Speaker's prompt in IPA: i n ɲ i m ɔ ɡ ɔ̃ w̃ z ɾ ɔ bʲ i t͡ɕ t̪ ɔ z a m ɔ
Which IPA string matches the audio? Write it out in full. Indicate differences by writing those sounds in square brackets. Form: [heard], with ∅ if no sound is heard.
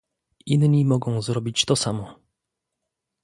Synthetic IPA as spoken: i n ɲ i m ɔ ɡ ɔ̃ w̃ z ɾ ɔ bʲ i t͡ɕ t̪ ɔ [s] a m ɔ